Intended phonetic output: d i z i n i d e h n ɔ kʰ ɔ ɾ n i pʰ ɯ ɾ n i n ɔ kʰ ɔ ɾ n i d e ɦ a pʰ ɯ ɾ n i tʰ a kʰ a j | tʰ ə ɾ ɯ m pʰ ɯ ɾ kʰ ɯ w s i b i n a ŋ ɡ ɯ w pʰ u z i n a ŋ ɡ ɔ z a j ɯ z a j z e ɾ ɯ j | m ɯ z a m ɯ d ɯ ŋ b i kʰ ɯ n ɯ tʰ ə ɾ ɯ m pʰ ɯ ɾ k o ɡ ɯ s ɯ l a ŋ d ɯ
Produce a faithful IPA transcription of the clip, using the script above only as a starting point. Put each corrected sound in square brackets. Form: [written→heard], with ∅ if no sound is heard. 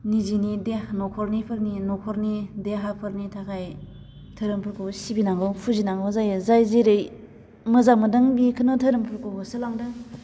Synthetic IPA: [d→n] i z i n i d e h n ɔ kʰ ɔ ɾ n i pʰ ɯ ɾ n i n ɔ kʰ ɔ ɾ n i d e ɦ a pʰ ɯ ɾ n i tʰ a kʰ a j | tʰ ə ɾ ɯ m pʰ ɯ ɾ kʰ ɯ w s i b i n a ŋ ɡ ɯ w pʰ u z i n a ŋ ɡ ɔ z a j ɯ z a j z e ɾ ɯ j | m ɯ z a m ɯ d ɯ ŋ b i kʰ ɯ n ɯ tʰ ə ɾ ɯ m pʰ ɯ ɾ k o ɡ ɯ s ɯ l a ŋ d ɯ